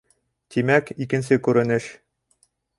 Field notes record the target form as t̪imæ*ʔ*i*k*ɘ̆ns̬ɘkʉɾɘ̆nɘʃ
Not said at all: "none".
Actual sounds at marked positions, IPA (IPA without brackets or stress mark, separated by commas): k, k